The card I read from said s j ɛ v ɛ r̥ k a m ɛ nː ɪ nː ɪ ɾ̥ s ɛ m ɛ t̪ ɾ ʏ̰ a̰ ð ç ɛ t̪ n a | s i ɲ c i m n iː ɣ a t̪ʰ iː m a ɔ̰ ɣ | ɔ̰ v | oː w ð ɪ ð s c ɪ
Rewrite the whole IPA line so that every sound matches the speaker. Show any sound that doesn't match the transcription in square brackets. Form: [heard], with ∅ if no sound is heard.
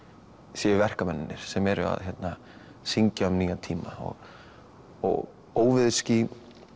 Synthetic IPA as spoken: s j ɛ v ɛ r̥ k a m ɛ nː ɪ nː ɪ ɾ̥ s ɛ m ɛ [∅] ɾ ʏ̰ a̰ ð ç ɛ t̪ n a | s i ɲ c [a] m n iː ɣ a t̪ʰ iː m a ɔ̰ ɣ | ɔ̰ [ɣ] | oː w [v] ɪ ð s c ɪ

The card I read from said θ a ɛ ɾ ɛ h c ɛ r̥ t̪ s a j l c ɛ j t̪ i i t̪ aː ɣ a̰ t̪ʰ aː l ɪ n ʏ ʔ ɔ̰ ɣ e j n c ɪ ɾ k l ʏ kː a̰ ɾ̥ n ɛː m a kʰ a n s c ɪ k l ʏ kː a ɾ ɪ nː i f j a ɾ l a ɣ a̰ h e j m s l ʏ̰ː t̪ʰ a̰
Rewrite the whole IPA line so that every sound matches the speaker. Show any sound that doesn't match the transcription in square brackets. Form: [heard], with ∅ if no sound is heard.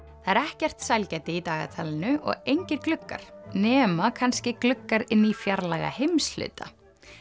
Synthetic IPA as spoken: θ a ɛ ɾ ɛ h c ɛ r̥ t̪ s a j l c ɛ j t̪ [ɪ] i t̪ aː ɣ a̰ t̪ʰ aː l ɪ n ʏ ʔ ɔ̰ ɣ e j [ɲ] c ɪ ɾ k l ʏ kː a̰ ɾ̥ n ɛː m a kʰ a n s c ɪ k l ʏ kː a ɾ ɪ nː i f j a ɾ l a ɣ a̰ h e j m s l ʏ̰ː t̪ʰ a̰

